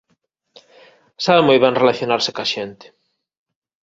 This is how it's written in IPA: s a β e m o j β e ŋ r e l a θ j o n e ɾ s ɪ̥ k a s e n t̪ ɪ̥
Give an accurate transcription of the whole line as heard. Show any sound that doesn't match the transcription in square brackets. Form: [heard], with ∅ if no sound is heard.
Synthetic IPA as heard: s a β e m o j β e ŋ r e l a θ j o n [a] ɾ s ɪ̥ k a [ʃ] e n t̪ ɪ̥